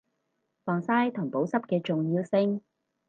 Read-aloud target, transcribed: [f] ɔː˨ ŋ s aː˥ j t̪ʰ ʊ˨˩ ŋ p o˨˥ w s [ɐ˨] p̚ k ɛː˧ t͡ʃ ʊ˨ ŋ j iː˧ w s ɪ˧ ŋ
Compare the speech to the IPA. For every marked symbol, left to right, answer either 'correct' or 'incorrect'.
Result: correct, incorrect: ɐ˥

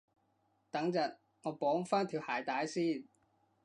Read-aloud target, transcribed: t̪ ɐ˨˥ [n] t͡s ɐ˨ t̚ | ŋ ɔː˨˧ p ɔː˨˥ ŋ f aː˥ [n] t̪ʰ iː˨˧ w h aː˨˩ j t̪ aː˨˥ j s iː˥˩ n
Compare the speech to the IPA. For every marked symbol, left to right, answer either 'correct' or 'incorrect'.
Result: incorrect: ŋ, correct

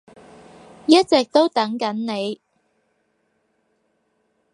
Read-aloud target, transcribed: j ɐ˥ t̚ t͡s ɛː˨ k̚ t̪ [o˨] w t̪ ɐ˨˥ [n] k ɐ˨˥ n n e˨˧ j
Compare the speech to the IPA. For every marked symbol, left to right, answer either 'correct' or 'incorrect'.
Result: incorrect: o˥, incorrect: ŋ

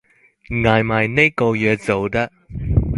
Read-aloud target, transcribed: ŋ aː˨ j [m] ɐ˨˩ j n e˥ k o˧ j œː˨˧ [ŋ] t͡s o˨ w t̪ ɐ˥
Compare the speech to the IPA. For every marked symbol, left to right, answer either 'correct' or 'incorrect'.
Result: correct, incorrect: none

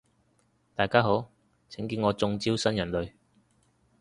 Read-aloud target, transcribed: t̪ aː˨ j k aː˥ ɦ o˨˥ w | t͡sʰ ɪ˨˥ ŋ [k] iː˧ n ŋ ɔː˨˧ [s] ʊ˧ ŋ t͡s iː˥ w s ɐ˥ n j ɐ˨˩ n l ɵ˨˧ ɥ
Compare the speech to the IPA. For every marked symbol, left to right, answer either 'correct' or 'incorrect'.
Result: correct, incorrect: t͡s

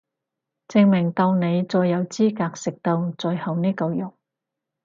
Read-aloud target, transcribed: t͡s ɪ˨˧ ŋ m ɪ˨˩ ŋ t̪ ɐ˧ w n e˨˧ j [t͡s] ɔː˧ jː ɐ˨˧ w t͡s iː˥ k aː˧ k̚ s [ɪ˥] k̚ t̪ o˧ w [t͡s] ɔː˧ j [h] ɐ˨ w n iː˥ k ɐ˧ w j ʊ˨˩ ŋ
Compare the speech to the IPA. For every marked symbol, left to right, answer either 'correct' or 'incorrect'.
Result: correct, incorrect: ɪ˨, correct, correct

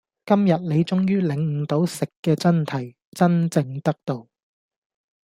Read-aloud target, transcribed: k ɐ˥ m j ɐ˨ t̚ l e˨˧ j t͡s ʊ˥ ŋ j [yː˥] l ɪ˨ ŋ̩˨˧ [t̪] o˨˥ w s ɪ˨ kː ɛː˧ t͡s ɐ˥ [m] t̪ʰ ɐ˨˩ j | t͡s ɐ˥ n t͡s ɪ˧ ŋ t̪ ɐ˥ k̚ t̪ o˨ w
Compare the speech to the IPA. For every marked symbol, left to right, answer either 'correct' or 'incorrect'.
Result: correct, correct, incorrect: n

